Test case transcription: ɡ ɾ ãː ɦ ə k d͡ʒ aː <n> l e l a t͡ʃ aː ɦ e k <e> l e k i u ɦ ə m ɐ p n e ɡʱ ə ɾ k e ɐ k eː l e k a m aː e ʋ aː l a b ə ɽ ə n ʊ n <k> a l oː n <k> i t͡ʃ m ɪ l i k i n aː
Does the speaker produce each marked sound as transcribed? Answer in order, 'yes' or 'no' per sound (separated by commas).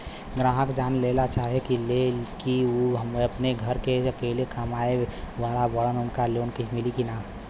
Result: yes, no, yes, yes